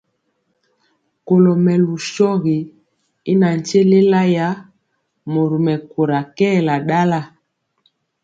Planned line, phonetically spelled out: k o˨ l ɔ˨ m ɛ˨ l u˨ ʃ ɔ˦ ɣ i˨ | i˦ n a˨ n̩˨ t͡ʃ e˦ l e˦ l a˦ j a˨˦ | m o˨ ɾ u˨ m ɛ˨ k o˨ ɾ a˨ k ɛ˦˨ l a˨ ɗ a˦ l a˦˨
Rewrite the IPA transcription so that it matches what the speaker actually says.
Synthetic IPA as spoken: k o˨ l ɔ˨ m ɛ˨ l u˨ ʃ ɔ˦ ɣ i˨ | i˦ n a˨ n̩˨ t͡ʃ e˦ l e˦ l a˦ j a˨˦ | m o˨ ɾ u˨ m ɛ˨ k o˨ ɾ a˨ k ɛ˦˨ l a˨ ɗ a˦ l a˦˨